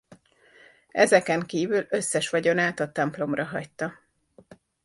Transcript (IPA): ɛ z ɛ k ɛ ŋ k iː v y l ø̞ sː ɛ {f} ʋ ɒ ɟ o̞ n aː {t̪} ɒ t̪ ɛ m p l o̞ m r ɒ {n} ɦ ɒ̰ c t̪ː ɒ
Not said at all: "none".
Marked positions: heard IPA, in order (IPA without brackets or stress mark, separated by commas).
ʃ, t̪, none